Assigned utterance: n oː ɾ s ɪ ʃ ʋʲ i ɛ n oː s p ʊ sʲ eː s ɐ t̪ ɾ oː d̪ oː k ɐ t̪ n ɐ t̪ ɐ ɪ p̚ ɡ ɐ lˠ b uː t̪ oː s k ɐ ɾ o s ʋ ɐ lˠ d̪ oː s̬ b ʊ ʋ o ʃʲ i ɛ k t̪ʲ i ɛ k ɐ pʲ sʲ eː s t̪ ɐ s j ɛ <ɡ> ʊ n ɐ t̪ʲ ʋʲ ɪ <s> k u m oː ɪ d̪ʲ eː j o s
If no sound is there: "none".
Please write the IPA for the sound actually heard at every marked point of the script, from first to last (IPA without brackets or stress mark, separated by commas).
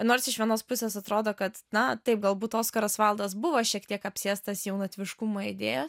none, ʃ